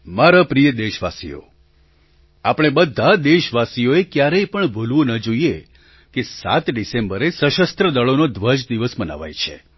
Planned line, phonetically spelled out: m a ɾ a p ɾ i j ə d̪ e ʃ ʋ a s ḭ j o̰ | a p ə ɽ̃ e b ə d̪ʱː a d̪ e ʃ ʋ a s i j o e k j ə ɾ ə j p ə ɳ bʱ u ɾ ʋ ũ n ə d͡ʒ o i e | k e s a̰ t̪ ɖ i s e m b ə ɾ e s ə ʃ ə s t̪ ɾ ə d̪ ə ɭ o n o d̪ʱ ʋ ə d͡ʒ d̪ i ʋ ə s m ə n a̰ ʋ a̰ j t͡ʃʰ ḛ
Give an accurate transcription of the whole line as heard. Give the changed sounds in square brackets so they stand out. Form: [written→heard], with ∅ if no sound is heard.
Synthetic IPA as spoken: m a ɾ a p ɾ i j ə d̪ e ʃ ʋ a s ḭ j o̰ | a p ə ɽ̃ e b ə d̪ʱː a d̪ e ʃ ʋ a s i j o e k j [ə→a] ɾ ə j p ə ɳ bʱ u [ɾ→l] ʋ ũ n ə d͡ʒ o i e | k e s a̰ t̪ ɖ i s e m b ə ɾ e s ə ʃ ə s t̪ ɾ ə d̪ ə ɭ o n o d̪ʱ ʋ ə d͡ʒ d̪ i ʋ ə s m ə n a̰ ʋ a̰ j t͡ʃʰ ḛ